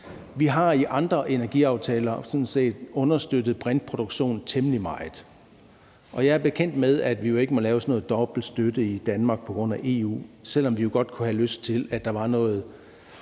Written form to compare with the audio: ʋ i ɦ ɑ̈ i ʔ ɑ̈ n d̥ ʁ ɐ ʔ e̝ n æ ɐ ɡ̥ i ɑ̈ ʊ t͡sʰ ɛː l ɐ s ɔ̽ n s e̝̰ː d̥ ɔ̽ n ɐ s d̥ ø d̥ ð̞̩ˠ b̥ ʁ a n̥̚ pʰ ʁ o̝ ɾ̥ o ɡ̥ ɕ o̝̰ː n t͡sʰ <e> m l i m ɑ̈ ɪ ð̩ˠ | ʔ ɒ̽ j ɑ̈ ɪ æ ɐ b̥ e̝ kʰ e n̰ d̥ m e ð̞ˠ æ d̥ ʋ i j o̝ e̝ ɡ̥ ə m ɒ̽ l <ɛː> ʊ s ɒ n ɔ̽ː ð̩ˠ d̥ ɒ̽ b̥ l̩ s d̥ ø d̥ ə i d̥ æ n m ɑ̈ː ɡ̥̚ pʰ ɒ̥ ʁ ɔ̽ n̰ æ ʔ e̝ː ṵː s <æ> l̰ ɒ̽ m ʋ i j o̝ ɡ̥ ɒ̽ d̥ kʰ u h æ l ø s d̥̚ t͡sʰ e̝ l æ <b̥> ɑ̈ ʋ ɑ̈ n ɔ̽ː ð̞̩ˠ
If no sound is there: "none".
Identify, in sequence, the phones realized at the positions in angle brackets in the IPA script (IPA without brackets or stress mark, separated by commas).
e, ɛː, e, d̥